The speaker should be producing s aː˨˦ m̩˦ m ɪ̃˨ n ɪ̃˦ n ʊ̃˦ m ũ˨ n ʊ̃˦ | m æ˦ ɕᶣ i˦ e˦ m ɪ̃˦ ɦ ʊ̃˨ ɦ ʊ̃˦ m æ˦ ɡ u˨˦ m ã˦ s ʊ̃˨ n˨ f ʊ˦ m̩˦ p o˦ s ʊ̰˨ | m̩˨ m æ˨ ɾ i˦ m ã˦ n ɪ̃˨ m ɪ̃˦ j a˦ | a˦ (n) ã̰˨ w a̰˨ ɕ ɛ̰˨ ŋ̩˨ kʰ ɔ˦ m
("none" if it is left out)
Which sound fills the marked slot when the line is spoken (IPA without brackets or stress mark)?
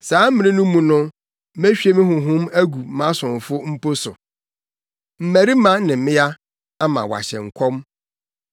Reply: m